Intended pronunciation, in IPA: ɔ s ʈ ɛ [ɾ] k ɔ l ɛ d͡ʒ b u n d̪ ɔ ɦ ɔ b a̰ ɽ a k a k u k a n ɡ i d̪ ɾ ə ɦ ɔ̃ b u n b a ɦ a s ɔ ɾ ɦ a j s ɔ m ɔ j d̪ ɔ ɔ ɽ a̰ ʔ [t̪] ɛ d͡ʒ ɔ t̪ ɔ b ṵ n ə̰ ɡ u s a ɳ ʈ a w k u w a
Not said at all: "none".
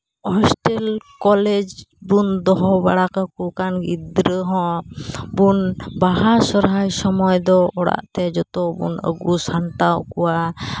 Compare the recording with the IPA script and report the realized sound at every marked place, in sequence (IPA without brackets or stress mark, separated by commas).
l, t̪